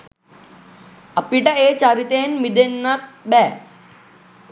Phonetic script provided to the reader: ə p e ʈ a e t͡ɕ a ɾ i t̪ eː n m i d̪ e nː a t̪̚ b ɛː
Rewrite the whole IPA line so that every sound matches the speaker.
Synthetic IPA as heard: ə p i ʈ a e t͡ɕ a ɾ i t̪ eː n m i d̪ e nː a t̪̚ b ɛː